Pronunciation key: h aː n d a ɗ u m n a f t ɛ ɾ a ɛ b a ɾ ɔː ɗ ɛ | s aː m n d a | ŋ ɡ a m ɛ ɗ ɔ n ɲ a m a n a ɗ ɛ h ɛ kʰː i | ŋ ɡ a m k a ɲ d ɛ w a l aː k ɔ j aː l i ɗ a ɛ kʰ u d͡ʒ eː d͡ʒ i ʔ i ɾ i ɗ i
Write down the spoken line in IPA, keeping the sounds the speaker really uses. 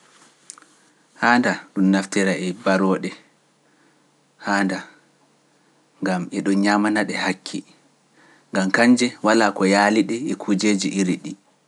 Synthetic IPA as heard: h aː n d a ɗ u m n a f t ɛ ɾ a ɛ b a ɾ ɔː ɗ ɛ | h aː n d a | ŋ ɡ a m ɛ ɗ ɔ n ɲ a m a n a ɗ ɛ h a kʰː i | ŋ ɡ a m k a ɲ d͡ʒ ɛ w a l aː k ɔ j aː l i ɗ ɛ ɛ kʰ u d͡ʒ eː d͡ʒ i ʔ i ɾ i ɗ i